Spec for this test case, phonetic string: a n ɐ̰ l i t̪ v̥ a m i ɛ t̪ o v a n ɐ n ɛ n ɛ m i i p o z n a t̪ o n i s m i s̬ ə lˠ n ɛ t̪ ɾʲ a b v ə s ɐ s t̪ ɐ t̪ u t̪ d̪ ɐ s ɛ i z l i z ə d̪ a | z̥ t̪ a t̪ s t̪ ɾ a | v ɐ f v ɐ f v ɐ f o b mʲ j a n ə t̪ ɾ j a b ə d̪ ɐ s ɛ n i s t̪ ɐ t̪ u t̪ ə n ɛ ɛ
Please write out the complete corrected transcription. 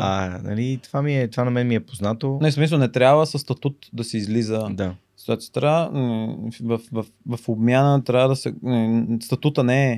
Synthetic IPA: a n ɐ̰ l i t̪ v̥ a m i ɛ t̪ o v a n ɐ m ɛ n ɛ m i ɛ p o z n a t̪ o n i s m i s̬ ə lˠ n ɛ t̪ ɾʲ a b v ə s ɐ s t̪ ɐ t̪ u t̪ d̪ ɐ s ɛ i z l i z ə d̪ a | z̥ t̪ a t̪ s t̪ ɾ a | v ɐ f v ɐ f v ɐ f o b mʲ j a n ə t̪ ɾ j a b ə d̪ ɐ s ɛ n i s t̪ ɐ t̪ u t̪ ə n ɛ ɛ